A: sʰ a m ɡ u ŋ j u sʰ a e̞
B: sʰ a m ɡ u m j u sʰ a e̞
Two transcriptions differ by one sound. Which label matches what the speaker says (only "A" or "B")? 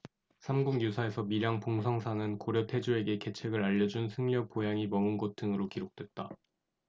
A